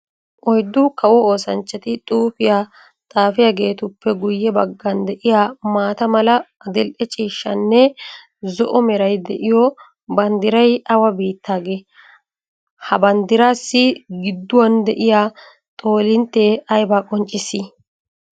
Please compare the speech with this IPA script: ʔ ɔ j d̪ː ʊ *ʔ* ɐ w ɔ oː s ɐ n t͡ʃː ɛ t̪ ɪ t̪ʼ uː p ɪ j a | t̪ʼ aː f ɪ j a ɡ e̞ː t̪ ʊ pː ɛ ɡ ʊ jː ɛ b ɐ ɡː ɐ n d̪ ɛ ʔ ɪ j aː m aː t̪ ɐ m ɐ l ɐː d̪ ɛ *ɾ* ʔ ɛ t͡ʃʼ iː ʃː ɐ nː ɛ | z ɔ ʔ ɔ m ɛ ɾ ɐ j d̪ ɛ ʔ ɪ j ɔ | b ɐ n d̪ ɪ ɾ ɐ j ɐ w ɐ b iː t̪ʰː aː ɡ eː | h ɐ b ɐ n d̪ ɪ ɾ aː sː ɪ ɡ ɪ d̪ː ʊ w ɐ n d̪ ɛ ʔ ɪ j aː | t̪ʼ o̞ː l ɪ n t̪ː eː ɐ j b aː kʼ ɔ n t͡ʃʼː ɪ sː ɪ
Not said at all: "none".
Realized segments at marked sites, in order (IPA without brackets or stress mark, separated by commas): k, l